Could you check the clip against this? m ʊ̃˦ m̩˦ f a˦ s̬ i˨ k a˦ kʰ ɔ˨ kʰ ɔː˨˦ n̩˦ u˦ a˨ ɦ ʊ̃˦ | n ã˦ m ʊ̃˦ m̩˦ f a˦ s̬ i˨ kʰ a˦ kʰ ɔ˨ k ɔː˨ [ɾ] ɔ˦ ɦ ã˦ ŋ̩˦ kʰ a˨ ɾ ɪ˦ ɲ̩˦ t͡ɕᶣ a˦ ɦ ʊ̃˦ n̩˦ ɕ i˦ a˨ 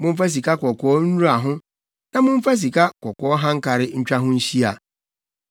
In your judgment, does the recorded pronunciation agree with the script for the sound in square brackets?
no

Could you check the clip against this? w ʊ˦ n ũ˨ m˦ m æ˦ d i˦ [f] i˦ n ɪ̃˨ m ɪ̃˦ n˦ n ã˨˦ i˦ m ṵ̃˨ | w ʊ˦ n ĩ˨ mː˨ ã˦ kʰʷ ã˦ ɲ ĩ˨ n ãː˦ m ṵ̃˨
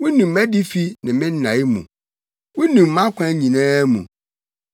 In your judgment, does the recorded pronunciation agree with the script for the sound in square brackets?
yes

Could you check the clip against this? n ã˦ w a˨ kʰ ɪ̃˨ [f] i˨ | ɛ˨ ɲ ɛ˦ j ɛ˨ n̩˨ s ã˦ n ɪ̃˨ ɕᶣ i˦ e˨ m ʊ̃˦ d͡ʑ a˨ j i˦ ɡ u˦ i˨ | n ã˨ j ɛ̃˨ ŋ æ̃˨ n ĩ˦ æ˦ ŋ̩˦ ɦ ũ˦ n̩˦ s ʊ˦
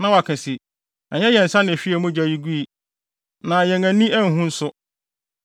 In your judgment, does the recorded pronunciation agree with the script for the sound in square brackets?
no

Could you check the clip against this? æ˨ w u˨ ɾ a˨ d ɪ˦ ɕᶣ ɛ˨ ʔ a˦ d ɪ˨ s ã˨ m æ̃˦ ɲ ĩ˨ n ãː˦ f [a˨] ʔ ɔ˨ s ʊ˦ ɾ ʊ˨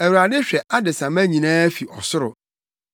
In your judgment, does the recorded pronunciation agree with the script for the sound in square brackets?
no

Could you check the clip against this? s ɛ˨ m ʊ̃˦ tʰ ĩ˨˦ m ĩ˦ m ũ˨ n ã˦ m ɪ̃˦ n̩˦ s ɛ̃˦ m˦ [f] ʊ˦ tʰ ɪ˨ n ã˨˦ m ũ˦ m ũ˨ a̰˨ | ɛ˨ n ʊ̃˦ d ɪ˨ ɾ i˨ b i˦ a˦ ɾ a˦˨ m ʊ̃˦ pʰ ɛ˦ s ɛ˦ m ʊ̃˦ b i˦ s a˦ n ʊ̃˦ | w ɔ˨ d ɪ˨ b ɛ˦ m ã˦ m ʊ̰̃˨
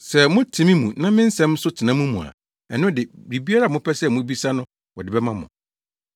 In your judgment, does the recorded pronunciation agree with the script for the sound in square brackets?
no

